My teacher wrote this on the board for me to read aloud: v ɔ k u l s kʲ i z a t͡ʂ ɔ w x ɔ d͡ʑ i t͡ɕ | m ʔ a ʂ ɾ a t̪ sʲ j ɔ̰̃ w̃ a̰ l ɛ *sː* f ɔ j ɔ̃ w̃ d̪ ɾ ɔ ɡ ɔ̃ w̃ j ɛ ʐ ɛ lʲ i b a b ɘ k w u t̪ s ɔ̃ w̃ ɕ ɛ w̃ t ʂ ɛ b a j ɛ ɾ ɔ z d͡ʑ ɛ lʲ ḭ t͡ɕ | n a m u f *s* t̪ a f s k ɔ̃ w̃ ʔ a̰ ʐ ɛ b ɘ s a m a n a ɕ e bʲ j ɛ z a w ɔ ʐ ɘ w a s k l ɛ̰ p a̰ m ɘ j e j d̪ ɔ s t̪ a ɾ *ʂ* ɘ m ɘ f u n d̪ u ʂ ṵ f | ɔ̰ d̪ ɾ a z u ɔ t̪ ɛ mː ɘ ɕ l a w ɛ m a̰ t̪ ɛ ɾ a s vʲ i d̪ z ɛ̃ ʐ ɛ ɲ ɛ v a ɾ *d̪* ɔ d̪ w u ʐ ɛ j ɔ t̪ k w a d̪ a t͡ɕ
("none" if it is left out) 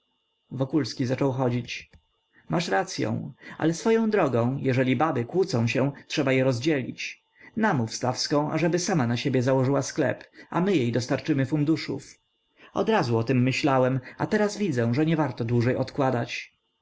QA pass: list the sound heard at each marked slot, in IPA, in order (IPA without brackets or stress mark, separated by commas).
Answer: s, s, t͡ʂ, t̪